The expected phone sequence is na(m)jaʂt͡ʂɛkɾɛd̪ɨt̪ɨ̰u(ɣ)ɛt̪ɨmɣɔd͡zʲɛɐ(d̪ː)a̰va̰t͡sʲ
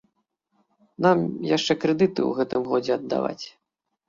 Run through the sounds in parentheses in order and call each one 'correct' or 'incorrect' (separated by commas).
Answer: correct, correct, correct